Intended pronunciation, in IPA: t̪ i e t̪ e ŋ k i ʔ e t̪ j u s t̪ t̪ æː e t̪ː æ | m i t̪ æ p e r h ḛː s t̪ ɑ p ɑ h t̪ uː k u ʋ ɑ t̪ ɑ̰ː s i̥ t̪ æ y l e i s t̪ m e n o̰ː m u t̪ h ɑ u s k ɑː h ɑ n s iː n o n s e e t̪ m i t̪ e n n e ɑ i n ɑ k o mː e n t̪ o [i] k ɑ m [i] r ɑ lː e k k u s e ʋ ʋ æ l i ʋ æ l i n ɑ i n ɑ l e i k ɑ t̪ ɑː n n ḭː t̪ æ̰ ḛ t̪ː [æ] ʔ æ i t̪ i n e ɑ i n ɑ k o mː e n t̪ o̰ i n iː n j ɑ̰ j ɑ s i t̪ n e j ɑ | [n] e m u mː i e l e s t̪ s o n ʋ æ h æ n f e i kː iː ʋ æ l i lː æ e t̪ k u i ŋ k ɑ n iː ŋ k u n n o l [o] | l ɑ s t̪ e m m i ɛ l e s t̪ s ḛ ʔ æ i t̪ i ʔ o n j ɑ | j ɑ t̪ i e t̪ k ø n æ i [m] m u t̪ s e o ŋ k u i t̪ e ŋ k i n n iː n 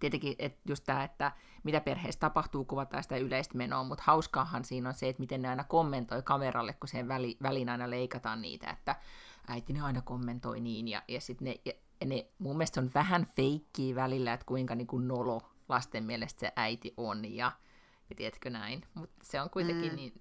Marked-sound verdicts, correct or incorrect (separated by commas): correct, incorrect, correct, correct, correct, incorrect